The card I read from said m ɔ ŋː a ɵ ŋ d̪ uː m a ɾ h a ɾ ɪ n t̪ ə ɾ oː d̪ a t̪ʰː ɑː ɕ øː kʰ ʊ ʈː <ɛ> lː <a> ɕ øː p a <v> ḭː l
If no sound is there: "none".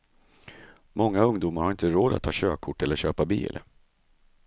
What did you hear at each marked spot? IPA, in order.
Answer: ɛ, ə, b

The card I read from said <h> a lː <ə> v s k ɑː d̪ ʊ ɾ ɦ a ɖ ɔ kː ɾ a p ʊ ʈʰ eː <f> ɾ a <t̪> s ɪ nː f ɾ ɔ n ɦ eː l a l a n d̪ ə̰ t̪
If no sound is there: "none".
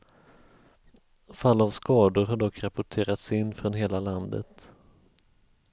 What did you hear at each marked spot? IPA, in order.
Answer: f, a, none, t̪

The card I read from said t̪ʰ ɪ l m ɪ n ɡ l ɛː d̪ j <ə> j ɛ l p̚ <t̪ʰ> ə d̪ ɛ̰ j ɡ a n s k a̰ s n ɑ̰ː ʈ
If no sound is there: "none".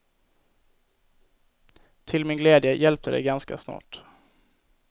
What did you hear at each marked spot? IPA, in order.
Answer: ə, t̪

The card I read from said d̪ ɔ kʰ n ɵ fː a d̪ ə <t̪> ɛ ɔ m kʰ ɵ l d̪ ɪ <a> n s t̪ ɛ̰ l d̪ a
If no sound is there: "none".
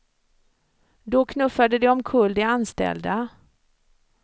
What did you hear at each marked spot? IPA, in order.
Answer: d̪, a

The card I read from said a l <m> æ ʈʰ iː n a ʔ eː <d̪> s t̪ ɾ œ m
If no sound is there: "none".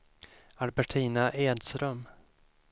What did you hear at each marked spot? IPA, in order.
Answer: b, d̪

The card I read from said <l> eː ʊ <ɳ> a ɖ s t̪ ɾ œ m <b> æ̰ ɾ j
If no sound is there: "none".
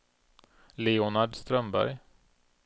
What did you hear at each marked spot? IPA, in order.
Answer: l, n, b

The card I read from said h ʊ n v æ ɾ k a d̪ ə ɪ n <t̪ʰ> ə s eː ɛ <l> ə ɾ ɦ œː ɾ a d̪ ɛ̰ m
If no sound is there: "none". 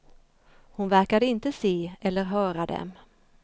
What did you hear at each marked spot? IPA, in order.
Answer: t̪, lː

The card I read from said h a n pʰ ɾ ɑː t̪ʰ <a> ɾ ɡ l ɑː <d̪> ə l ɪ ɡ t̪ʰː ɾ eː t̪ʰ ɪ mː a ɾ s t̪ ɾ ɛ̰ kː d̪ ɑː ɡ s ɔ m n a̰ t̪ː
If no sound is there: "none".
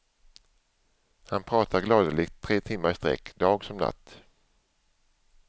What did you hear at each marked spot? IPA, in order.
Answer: a, d̪

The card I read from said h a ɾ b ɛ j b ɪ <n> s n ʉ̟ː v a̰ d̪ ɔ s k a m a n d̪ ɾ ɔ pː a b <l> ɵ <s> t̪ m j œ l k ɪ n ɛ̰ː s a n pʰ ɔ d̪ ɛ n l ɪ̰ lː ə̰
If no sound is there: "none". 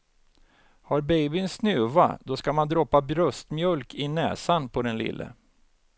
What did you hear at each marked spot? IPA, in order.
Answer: n, ɾ, s

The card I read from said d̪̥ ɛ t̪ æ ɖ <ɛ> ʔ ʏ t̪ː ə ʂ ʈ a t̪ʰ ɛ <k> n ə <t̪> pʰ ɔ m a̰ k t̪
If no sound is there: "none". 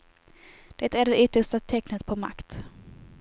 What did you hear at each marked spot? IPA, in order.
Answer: ɛ, k, t̪

